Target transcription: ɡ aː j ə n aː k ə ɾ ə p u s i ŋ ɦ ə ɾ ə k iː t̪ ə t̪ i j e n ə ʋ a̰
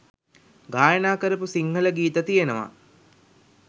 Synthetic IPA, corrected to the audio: ɡ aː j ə n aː k ə ɾ ə p u s i ŋ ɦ ə l ə ɡ iː t̪ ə t̪ i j e n ə ʋ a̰